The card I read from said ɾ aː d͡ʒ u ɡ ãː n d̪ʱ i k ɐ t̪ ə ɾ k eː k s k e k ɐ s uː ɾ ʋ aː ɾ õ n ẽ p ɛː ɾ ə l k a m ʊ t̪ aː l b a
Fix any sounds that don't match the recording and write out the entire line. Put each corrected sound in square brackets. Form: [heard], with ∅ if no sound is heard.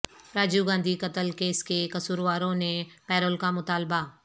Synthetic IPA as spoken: ɾ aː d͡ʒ u ɡ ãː n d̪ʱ i k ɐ t̪ ə [l] k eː [∅] s k e k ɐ s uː ɾ ʋ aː ɾ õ n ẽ p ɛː ɾ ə l k a m ʊ t̪ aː l b a

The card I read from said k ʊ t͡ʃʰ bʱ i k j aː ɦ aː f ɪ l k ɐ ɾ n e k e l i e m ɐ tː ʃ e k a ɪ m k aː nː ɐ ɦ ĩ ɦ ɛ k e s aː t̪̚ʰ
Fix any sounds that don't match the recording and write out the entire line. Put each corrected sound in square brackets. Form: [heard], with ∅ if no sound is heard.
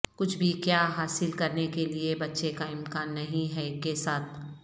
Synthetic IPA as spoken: k ʊ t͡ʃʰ bʱ i k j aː ɦ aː [s] ɪ l k ɐ ɾ n e k e l i e [b] ɐ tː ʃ e k a ɪ m k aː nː ɐ ɦ ĩ ɦ ɛ k e s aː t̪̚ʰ

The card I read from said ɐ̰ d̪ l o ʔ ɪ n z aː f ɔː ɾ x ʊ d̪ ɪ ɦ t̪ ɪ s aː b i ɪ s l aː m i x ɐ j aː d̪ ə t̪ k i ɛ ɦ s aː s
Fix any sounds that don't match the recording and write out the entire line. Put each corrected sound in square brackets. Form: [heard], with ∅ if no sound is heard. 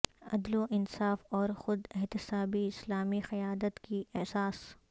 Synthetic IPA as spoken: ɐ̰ d̪ l o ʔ ɪ n [s] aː f ɔː ɾ x ʊ d̪ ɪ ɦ t̪ ɪ s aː b i ɪ s l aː m i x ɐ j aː d̪ ə t̪ k i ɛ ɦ s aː s

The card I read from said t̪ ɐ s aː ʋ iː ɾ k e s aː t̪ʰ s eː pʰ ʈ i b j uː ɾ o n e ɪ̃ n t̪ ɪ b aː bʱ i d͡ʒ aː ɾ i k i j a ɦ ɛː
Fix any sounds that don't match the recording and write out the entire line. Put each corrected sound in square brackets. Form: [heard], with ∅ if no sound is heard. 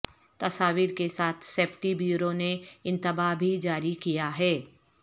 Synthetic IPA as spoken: t̪ ɐ s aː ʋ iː ɾ k e s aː t̪ʰ s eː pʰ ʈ i b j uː ɾ o n e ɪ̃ n t̪ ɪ b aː bʱ i d͡ʒ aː ɾ i k i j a ɦ ɛː

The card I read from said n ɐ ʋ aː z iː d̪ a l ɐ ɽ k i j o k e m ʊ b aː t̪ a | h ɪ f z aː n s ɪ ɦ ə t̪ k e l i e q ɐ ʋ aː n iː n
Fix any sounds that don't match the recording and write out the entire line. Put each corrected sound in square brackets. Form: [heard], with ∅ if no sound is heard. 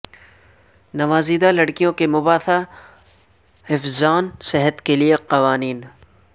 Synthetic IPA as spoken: n ɐ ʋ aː z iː d̪ a l ɐ ɽ k i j [õ] k e m ʊ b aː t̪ a | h ɪ f z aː n s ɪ ɦ ə t̪ k e l i e q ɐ ʋ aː n iː n

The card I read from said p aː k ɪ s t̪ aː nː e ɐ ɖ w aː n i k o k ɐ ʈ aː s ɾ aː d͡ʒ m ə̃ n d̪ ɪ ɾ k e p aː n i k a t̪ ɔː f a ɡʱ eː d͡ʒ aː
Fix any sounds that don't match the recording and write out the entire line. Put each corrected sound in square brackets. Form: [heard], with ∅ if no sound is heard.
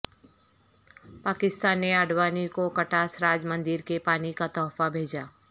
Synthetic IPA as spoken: p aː k ɪ s t̪ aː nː e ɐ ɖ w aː n i k o k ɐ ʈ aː s ɾ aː d͡ʒ m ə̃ n d̪ ɪ ɾ k e p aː n i k a t̪ ɔː f a [bʱ] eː d͡ʒ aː

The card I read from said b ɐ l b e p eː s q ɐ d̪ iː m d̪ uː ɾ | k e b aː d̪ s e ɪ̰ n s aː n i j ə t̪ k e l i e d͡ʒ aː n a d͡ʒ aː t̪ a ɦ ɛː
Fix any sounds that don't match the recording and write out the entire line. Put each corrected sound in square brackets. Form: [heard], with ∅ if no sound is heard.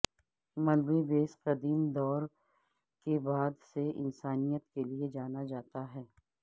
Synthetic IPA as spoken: [m] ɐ l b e [b] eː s q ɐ d̪ iː m d̪ [ɔː] ɾ | k e b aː d̪ s e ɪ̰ n s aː n i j ə t̪ k e l i e d͡ʒ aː n a d͡ʒ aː t̪ a ɦ ɛː

